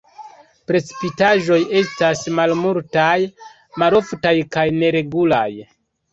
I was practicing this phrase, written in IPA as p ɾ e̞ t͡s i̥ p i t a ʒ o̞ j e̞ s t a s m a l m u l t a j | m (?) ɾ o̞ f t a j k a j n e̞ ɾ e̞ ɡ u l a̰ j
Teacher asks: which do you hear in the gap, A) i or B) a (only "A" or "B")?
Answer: B